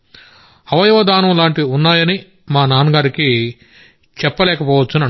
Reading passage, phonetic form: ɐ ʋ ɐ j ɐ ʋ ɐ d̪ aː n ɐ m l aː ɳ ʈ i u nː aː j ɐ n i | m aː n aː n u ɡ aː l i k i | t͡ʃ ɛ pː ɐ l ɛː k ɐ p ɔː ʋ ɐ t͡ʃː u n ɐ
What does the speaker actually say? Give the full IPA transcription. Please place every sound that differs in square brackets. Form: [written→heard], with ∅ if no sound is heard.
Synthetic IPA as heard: ɐ ʋ ɐ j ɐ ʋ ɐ d̪ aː n ɐ m l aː ɳ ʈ i u nː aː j ɐ n i | m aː n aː n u ɡ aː [l→ɾ] i k i | t͡ʃ ɛ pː ɐ l ɛː k ɐ p ɔː ʋ ɐ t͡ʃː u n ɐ